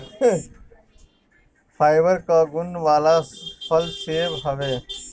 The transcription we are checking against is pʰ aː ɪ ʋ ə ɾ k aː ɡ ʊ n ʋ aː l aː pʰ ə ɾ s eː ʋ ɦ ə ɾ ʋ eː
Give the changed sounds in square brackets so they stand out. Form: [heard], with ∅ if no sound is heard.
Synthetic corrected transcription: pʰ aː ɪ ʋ ə ɾ k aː ɡ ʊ n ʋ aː l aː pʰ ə [l] s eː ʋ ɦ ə [∅] ʋ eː

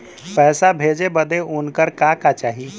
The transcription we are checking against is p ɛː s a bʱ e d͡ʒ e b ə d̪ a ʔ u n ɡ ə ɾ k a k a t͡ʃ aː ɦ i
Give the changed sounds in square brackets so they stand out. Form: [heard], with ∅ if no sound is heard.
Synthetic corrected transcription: p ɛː s a bʱ e d͡ʒ e b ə d̪ [e] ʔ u n [k] ə ɾ k a k a t͡ʃ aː ɦ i

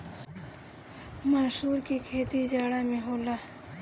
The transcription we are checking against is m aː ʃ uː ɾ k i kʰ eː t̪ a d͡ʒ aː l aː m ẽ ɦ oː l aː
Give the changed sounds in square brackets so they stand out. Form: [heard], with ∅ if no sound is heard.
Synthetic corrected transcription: m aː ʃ uː ɾ k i kʰ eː t̪ [i] d͡ʒ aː [ɽ] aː m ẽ ɦ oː l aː

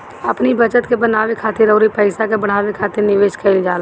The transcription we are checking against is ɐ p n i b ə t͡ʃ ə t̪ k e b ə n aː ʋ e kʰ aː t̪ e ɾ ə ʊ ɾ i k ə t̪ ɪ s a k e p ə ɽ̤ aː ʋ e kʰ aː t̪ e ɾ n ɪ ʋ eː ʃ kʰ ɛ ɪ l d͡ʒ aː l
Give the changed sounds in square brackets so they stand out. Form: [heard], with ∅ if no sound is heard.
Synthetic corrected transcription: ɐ p n i b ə t͡ʃ ə t̪ k e b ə n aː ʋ e kʰ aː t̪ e ɾ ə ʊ ɾ i [p] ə [∅] ɪ s a k e [b] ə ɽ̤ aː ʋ e kʰ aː t̪ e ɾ n ɪ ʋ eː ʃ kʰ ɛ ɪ l d͡ʒ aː l

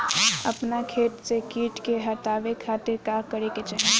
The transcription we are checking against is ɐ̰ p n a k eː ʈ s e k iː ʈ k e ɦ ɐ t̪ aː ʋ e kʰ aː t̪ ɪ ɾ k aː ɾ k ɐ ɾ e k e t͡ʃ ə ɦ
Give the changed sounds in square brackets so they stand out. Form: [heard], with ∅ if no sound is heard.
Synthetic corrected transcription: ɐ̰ p n a [kʰ] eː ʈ s e k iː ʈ k e ɦ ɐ t̪ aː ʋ e kʰ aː t̪ ɪ ɾ k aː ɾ k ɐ ɾ e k e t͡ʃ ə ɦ

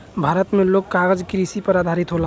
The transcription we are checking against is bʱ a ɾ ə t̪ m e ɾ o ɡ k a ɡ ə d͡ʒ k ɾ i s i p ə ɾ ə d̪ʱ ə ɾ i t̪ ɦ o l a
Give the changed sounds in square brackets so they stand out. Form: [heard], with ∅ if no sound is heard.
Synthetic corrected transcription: bʱ a ɾ ə t̪ m e [l] o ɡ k a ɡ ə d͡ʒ k ɾ i s i p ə ɾ [a] d̪ʱ [a] ɾ i t̪ ɦ o l a

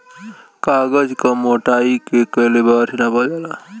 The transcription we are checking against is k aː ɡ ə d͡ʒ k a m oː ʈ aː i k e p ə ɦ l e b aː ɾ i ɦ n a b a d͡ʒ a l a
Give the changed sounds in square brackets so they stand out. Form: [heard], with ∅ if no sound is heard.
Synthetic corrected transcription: k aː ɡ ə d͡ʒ k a m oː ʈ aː i k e [k] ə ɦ l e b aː ɾ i [∅] n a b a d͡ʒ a l a

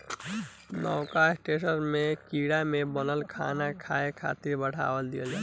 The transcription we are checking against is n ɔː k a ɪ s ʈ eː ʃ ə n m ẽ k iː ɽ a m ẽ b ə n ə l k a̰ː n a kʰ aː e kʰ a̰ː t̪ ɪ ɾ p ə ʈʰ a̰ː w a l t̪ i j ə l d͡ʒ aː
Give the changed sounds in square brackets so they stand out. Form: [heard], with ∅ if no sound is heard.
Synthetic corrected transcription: n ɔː k a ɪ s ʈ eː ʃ ə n m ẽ k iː ɽ a m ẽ b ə n ə l [kʰ] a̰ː n a kʰ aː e kʰ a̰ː t̪ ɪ ɾ [b] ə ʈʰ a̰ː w [ə] l [d̪] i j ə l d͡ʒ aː

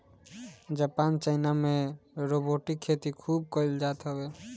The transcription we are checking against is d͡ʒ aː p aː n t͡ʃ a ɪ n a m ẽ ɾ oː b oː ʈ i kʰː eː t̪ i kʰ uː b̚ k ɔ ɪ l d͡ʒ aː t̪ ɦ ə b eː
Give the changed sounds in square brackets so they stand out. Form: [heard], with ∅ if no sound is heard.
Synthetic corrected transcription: d͡ʒ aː p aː n t͡ʃ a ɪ n a m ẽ ɾ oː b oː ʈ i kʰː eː t̪ i kʰ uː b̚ k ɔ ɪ l d͡ʒ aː t̪ ɦ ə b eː

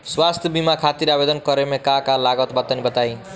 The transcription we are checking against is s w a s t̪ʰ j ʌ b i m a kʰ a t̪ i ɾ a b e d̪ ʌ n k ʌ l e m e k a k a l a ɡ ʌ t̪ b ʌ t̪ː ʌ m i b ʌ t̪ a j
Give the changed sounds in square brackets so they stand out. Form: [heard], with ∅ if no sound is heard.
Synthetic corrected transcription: s w a s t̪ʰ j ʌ b i m a kʰ a t̪ i ɾ a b e d̪ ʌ n k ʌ [ɾ] e m e k a k a l a ɡ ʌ t̪ b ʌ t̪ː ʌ [n] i b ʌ t̪ a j

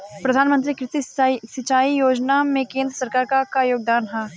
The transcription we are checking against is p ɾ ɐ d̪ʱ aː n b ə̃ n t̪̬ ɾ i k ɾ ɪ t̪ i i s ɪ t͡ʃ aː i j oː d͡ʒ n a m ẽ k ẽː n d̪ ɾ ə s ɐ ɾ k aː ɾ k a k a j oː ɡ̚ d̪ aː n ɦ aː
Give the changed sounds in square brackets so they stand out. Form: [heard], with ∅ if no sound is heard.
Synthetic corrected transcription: p ɾ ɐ d̪ʱ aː n [m] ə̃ n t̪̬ ɾ i k ɾ ɪ t̪ i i s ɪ t͡ʃ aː i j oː d͡ʒ n a m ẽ k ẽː n d̪ ɾ ə s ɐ ɾ k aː ɾ k a k a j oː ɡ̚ d̪ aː n ɦ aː

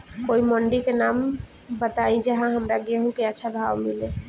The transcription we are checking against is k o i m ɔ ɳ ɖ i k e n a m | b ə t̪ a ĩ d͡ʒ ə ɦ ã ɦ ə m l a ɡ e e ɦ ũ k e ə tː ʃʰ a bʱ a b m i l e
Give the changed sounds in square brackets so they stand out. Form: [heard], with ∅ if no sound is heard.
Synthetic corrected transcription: k o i m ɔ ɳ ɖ i k e n a m | b ə t̪ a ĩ d͡ʒ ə ɦ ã ɦ ə m [ɾ] a ɡ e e ɦ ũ k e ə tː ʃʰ a bʱ a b m i l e

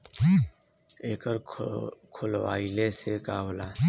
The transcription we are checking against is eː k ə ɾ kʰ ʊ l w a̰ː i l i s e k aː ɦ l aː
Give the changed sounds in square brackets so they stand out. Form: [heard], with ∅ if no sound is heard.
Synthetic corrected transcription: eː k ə ɾ kʰ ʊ l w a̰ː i l [e] s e k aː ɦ l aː

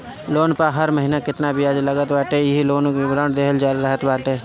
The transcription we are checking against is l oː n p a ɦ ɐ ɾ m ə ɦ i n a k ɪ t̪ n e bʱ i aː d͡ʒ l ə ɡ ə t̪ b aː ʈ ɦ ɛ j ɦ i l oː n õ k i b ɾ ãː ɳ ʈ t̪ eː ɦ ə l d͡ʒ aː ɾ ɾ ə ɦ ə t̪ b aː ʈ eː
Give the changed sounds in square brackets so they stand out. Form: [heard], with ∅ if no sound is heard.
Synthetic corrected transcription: l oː n p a ɦ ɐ ɾ m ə ɦ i n a k ɪ t̪ n [a] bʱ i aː d͡ʒ l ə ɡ ə t̪ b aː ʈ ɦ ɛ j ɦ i l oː n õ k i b ɾ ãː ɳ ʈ [d̪] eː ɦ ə l d͡ʒ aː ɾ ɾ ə ɦ ə t̪ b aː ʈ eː

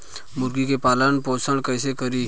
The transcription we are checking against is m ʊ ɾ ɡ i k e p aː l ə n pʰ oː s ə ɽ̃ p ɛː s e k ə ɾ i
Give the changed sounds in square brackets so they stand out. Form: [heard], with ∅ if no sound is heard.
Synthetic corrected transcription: m ʊ ɾ ɡ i k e p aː l ə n [p] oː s ə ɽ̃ [k] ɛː s e k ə ɾ i

